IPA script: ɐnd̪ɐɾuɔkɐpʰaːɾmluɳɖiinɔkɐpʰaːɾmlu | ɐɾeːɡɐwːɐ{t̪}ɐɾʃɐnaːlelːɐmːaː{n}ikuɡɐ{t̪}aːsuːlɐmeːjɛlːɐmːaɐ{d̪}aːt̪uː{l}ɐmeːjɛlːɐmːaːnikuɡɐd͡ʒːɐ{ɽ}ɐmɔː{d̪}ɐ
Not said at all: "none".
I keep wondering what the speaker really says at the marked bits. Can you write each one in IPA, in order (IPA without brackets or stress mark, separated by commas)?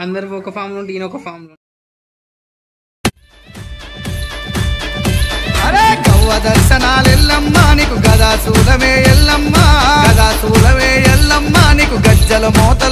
d̪, n, d̪, d̪, l, l, t̪